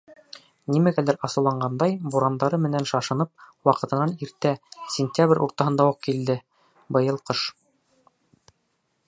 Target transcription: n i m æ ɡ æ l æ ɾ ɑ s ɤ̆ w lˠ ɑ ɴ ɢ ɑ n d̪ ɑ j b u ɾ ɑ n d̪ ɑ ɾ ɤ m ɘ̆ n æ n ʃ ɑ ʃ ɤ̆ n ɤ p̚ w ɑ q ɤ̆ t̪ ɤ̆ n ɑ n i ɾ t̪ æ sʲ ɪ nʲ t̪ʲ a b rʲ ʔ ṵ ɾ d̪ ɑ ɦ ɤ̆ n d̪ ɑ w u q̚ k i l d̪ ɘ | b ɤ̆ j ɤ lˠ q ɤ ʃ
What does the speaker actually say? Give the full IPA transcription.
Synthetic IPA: n i m æ ɡ æ l æ ɾ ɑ s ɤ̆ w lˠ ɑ ɴ ɢ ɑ n d̪ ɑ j b u ɾ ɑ n d̪ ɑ ɾ ɤ m ɘ̆ n æ n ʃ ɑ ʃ ɤ̆ n ɤ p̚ w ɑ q ɤ̆ t̪ ɤ̆ n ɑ n i ɾ t̪ æ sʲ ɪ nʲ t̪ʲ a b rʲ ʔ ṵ ɾ t̪ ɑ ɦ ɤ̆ n d̪ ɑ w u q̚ k i l d̪ ɘ | b ɤ̆ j ɤ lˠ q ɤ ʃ